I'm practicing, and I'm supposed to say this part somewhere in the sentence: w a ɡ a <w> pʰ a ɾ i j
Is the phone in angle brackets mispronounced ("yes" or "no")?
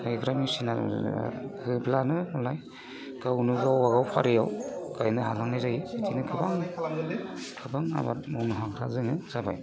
no